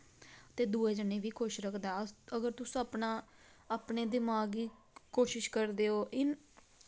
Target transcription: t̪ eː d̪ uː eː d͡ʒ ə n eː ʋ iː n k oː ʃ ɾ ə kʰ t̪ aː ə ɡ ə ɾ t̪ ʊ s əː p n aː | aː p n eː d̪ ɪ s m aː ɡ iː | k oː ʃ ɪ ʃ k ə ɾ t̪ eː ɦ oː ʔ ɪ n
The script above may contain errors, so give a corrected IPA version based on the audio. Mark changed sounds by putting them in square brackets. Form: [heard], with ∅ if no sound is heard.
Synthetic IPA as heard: t̪ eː d̪ uː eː d͡ʒ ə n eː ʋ iː [∅] k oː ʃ ɾ ə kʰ [d̪] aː ə ɡ ə ɾ t̪ ʊ s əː p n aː | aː p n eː d̪ ɪ [∅] m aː ɡ iː | k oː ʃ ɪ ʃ k ə ɾ [d̪] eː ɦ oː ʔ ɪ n

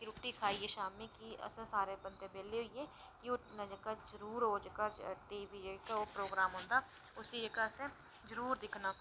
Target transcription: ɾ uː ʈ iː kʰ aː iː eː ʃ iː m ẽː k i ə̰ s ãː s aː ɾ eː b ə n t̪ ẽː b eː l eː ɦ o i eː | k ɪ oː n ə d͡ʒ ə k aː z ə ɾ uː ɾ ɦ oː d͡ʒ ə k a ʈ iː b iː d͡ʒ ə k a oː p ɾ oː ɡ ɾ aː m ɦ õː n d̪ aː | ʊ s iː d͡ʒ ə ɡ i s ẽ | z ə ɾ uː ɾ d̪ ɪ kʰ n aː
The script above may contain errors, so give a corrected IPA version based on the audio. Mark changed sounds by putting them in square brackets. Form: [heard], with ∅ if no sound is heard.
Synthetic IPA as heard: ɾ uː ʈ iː kʰ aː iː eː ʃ [aː] m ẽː k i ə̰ s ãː s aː ɾ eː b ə n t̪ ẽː b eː l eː ɦ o i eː | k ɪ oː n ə d͡ʒ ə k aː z ə ɾ uː ɾ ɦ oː d͡ʒ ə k a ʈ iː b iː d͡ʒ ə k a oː p ɾ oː ɡ ɾ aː m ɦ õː n d̪ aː | ʊ s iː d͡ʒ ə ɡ [a] s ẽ | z ə ɾ uː ɾ d̪ ɪ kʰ n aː

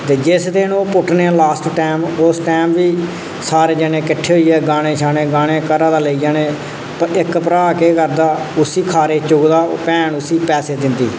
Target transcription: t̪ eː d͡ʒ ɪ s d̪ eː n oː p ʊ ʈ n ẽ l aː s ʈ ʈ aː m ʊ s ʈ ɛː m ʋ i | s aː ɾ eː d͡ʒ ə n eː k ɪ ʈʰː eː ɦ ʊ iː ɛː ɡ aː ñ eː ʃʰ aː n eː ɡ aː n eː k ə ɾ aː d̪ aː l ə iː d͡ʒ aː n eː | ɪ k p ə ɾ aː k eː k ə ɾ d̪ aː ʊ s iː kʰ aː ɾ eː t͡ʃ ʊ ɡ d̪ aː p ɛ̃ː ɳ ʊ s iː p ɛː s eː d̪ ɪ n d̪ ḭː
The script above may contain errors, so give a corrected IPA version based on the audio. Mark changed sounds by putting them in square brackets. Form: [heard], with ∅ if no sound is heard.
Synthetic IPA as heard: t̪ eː d͡ʒ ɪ s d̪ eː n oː p ʊ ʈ n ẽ l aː s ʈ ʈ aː m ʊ s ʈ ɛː m ʋ [iː] | s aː ɾ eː d͡ʒ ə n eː k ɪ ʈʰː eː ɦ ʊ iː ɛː ɡ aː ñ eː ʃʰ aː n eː ɡ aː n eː k ə ɾ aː d̪ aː l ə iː d͡ʒ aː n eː | ɪ k p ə ɾ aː k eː k ə ɾ d̪ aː ʊ s iː kʰ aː ɾ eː t͡ʃ ʊ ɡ d̪ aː p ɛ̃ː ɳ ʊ s iː p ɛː s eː d̪ ɪ n d̪ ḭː

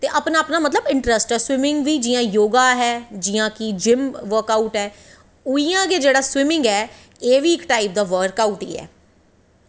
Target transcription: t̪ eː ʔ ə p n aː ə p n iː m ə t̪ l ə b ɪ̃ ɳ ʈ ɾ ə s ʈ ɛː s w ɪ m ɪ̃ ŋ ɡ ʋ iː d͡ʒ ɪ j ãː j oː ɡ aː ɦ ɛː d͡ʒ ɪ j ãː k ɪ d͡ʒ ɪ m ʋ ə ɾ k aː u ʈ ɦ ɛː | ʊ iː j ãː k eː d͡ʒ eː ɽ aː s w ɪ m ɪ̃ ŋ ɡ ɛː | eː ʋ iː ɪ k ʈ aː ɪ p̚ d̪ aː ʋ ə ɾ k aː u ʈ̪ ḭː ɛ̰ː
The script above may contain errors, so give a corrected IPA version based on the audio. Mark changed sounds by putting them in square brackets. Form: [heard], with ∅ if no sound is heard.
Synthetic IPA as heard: t̪ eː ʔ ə p n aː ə p n [aː] m ə t̪ l ə b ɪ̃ ɳ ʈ ɾ ə s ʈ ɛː s w ɪ m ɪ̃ ŋ ɡ ʋ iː d͡ʒ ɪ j ãː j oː ɡ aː ɦ ɛː d͡ʒ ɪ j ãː k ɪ d͡ʒ ɪ m ʋ ə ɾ k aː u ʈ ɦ ɛː | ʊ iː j ãː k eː d͡ʒ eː ɽ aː s w ɪ m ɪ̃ ŋ ɡ ɛː | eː ʋ iː ɪ k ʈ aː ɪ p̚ d̪ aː ʋ ə ɾ k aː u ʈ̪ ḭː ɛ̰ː

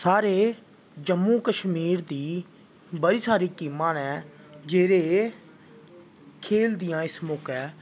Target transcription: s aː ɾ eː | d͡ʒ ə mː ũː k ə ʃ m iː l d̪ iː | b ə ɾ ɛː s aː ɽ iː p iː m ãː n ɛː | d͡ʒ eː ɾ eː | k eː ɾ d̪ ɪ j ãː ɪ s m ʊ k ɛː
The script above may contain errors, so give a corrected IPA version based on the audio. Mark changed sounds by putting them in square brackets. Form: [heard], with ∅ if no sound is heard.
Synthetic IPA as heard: s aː ɾ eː | d͡ʒ ə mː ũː k ə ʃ m iː [ɾ] d̪ iː | b ə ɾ [iː] s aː [ɾ] iː [k] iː m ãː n ɛː | d͡ʒ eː ɾ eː | [kʰ] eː [l] d̪ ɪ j ãː ɪ s m ʊ k ɛː

